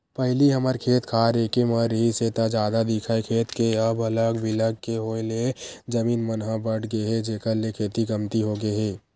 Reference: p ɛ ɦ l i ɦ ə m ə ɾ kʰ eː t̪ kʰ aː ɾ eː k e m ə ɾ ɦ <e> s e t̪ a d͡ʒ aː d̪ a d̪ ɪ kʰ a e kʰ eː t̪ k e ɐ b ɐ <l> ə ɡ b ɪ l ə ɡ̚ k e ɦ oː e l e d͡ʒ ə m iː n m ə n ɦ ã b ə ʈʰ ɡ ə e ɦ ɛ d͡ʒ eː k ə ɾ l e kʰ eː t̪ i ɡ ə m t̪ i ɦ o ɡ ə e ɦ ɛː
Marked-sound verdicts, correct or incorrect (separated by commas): incorrect, correct